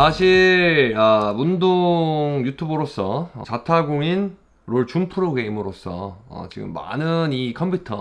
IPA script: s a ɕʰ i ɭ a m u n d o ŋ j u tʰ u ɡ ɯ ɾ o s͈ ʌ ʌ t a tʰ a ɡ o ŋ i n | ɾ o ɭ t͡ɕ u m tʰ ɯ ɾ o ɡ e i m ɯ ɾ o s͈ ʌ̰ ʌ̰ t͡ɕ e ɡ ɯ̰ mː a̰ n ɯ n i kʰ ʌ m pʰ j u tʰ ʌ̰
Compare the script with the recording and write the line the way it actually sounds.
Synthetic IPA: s a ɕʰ i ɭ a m u n d o ŋ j u tʰ u b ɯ ɾ o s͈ ʌ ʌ t͡ɕ a tʰ a ɡ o ŋ i n | ɾ o ɭ t͡ɕ u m pʰ ɯ ɾ o ɡ e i m ɯ ɾ o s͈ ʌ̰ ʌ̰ t͡ɕ i ɡ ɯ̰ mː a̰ n ɯ n i kʰ ʌ m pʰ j u tʰ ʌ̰